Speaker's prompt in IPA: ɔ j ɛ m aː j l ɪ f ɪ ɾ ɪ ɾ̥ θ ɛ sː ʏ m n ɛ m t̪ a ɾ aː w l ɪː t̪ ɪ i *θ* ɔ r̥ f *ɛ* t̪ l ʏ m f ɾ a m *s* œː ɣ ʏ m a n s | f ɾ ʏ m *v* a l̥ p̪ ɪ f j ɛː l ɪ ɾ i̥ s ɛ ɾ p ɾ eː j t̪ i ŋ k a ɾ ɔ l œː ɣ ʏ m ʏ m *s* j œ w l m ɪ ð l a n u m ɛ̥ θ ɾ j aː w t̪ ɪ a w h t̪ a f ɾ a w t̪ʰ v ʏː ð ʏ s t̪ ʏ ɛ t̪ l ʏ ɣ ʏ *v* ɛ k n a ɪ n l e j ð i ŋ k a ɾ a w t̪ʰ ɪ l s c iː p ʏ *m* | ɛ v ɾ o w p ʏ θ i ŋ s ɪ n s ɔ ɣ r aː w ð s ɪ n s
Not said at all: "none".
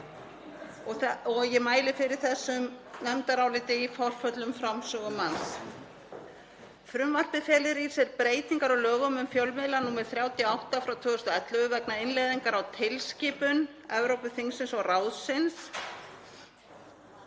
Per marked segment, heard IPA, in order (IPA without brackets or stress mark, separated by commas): f, œ, s, v, f, v, n